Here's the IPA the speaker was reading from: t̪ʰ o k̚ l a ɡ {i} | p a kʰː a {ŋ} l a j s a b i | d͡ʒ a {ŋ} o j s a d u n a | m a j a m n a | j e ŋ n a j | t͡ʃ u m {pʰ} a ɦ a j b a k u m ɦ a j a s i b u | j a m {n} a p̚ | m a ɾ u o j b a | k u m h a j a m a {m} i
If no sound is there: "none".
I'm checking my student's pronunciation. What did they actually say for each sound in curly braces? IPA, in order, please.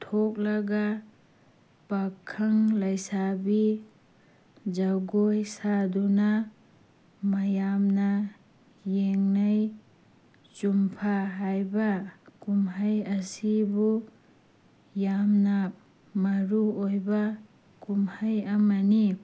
a, ŋ, ɡ, pʰ, n, n

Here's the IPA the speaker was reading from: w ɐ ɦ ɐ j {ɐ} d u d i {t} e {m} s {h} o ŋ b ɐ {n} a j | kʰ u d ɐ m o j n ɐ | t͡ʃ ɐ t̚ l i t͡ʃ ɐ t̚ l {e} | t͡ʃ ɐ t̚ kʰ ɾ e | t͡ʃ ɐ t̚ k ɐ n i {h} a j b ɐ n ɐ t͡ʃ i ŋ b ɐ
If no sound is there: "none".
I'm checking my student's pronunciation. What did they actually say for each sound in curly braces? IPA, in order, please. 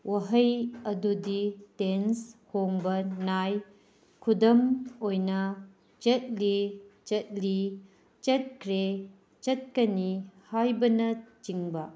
ɐ, t, n, h, n, i, h

